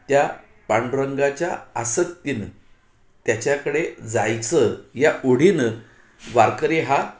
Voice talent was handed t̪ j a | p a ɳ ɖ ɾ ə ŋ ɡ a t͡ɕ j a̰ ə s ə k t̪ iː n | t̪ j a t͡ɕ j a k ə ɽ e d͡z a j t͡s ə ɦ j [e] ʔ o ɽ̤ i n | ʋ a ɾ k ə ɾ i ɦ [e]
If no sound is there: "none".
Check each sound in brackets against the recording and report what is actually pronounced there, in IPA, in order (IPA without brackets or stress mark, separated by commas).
a, a